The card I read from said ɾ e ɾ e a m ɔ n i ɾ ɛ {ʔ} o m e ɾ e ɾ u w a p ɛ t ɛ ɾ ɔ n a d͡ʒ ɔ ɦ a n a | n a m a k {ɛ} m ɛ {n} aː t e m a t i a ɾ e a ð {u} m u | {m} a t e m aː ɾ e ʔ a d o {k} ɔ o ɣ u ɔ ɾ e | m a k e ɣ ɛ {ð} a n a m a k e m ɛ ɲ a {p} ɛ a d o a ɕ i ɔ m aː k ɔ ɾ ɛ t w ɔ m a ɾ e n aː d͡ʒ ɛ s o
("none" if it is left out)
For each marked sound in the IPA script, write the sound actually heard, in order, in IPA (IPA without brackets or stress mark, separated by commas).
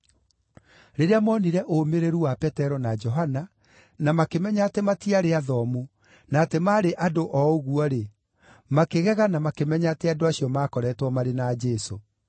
ʔ, e, ɲ, ɔ, n, ʔ, ɣ, t